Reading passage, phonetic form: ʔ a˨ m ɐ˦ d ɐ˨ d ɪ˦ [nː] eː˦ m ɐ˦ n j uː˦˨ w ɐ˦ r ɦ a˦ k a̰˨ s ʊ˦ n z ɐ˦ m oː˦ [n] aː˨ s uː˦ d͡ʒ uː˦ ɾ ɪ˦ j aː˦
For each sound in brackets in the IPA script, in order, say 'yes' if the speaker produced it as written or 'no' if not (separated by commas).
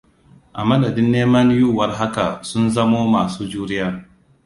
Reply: yes, no